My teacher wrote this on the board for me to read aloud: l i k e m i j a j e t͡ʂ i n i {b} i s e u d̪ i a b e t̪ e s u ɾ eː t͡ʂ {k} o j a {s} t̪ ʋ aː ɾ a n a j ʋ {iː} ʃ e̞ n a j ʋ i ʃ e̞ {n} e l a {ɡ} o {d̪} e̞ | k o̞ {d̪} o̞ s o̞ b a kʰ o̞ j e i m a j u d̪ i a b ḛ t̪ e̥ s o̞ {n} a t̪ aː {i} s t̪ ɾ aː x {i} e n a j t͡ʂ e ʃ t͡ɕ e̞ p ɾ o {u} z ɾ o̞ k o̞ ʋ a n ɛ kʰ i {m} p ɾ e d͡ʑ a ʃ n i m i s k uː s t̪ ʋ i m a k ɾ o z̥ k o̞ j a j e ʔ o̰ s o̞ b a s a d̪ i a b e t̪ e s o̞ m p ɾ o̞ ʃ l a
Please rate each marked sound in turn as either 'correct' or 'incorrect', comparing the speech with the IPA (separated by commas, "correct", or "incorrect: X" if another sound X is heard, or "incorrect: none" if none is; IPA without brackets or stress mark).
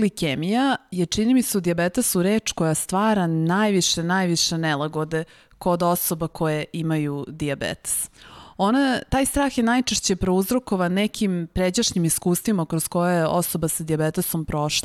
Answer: incorrect: m, correct, correct, incorrect: i, correct, correct, correct, correct, correct, incorrect: j, incorrect: j, correct, correct